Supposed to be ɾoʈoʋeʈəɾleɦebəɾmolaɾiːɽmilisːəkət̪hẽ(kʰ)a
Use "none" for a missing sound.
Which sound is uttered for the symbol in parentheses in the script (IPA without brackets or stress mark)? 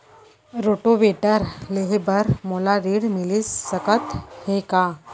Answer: k